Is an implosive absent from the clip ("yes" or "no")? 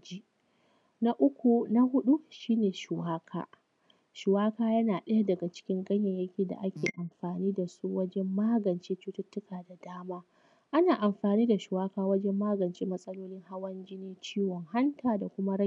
no